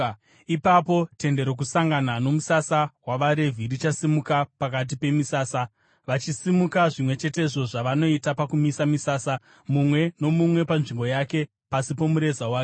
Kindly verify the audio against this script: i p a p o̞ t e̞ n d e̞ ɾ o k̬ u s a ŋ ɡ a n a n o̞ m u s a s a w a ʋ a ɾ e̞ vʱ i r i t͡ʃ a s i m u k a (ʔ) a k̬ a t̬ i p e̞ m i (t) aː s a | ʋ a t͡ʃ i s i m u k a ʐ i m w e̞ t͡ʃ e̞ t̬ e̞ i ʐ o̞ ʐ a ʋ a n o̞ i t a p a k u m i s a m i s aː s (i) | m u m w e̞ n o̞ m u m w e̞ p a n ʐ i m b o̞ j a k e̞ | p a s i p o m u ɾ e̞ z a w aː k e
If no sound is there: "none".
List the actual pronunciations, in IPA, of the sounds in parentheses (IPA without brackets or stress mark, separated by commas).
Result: p, s, a